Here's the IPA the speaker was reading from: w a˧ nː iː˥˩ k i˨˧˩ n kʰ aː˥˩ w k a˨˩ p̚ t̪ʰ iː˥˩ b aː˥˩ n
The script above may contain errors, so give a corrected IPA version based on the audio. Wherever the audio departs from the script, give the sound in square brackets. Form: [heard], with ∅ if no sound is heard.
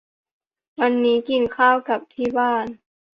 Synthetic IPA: w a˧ nː [iː˦˥] k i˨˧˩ n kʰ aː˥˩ w k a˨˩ p̚ t̪ʰ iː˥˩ b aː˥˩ n